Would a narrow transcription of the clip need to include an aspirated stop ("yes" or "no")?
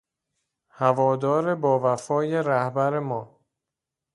no